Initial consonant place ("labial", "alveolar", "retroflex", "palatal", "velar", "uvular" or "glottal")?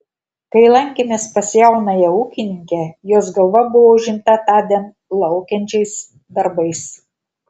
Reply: velar